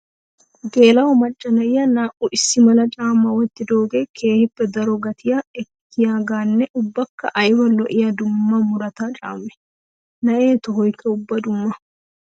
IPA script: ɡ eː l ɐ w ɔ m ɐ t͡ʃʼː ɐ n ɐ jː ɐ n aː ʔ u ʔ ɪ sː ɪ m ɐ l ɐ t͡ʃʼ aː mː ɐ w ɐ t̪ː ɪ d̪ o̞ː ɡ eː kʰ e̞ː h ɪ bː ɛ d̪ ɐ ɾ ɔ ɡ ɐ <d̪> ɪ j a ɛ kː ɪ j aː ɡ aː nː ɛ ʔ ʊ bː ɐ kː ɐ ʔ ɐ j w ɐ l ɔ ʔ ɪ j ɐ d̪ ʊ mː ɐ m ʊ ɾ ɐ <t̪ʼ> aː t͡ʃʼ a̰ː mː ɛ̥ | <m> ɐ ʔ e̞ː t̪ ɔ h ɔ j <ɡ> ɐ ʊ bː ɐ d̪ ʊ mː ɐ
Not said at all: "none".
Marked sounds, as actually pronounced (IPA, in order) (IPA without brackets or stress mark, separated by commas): t̪, t̪, n, k